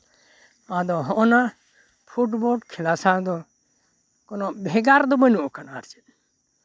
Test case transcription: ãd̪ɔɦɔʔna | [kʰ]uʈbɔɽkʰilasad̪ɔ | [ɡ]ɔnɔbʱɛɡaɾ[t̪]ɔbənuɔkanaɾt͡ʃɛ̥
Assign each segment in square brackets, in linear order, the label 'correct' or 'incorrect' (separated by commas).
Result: incorrect, incorrect, incorrect